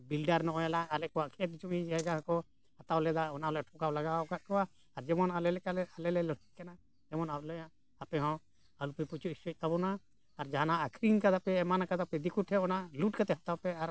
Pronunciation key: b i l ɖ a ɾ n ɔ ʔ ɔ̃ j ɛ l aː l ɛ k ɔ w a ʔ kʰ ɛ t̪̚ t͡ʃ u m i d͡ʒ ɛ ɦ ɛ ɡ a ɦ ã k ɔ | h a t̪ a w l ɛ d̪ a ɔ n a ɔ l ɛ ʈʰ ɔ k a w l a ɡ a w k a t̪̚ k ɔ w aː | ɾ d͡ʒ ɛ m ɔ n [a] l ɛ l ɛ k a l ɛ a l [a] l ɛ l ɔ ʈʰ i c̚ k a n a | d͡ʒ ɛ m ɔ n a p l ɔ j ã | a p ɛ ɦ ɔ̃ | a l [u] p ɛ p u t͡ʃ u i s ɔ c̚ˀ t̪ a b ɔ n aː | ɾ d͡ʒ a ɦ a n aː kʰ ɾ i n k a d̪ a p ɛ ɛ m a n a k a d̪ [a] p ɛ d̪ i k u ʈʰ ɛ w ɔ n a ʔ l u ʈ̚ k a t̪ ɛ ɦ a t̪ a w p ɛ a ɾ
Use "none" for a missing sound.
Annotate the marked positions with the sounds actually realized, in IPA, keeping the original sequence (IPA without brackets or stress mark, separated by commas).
a, ɛ, u, a